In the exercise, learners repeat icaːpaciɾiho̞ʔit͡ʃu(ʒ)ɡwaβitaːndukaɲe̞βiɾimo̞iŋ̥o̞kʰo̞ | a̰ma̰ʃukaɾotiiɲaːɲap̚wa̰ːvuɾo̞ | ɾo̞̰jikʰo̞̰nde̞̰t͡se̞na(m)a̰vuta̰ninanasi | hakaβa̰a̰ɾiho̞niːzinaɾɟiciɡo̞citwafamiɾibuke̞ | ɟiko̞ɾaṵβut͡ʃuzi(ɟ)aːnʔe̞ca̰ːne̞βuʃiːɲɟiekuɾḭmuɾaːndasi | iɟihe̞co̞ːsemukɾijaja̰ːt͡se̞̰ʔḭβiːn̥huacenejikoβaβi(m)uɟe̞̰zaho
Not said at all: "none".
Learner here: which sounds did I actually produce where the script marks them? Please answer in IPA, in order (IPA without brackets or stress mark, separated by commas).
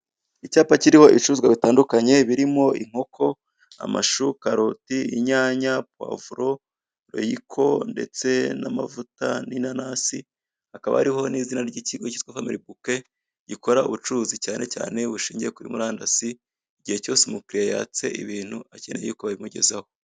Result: z, m, c, m